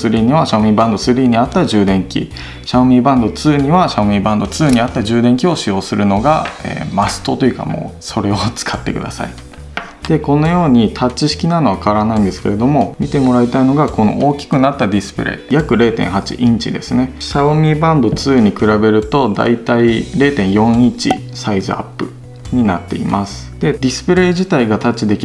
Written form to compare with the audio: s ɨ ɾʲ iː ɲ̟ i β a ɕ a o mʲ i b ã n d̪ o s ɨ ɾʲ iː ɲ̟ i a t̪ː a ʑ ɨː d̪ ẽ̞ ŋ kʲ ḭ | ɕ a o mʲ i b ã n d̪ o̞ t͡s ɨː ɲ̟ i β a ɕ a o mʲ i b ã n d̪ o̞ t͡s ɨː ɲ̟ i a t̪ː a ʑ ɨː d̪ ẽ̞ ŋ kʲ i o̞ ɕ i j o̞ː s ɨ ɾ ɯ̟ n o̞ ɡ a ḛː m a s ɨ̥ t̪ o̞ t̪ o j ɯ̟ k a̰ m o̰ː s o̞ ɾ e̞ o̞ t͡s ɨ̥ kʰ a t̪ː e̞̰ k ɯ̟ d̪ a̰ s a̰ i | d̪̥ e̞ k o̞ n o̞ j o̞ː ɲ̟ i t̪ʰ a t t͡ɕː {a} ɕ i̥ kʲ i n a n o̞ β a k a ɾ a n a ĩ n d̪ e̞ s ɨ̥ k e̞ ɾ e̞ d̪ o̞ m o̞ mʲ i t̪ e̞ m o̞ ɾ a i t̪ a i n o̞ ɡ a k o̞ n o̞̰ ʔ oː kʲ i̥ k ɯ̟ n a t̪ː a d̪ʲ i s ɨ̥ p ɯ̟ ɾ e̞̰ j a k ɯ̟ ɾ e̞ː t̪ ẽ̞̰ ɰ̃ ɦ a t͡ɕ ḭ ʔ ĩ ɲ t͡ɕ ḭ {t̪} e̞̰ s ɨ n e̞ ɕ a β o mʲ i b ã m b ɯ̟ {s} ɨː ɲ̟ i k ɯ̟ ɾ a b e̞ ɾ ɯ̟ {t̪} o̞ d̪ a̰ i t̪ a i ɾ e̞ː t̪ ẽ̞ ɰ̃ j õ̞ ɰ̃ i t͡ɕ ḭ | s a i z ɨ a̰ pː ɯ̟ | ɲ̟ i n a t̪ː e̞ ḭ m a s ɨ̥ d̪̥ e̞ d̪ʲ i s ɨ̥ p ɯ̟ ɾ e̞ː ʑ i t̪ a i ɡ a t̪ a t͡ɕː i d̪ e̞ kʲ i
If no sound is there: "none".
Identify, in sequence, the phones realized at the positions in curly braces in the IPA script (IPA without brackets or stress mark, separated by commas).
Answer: i, d̪, t͡s, t̪